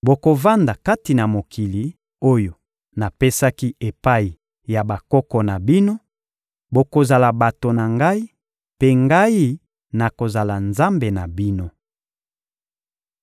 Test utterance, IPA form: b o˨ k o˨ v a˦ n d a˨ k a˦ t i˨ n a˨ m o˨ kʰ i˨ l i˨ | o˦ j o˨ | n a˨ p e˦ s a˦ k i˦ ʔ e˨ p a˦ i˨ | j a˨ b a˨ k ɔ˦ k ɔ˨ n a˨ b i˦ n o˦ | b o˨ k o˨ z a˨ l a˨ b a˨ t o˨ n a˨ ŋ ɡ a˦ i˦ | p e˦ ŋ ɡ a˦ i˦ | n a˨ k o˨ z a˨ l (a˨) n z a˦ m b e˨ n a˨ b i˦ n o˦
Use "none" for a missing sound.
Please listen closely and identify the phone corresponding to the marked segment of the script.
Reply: a˨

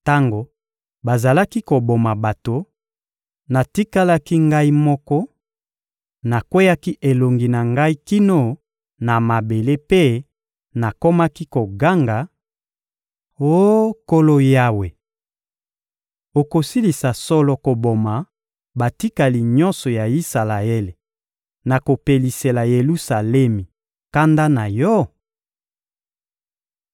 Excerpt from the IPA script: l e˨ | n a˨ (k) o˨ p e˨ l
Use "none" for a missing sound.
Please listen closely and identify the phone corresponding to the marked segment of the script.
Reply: k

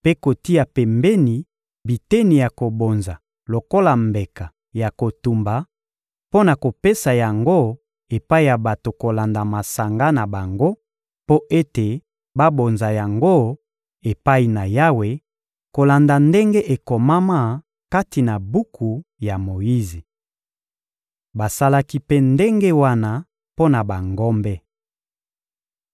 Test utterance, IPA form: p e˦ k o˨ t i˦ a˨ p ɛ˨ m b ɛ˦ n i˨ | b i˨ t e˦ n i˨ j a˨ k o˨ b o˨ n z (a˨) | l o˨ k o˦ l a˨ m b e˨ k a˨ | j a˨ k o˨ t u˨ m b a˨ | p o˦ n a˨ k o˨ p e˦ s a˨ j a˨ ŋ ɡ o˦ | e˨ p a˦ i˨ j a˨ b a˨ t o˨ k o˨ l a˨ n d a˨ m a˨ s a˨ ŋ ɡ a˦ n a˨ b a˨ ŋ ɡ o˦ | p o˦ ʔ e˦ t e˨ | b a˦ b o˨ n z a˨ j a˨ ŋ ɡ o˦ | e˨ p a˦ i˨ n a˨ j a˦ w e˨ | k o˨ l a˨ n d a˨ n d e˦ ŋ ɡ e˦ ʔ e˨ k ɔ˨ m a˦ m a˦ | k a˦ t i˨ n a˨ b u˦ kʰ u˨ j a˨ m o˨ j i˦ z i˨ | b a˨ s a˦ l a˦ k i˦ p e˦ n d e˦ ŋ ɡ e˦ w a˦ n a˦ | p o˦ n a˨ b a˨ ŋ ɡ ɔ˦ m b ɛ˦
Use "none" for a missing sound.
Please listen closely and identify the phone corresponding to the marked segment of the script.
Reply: a˨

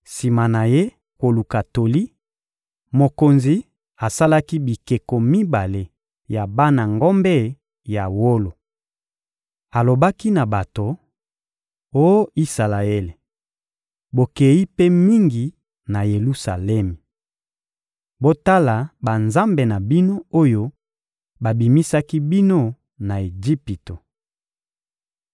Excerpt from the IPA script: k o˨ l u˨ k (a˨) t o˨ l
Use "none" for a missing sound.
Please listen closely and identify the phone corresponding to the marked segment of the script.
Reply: a˨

